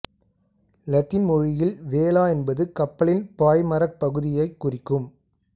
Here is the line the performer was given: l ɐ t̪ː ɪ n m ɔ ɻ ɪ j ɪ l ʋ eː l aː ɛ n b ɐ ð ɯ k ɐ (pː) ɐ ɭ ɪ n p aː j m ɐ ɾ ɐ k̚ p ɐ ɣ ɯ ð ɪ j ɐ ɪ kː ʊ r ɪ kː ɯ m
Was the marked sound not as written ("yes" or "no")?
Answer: no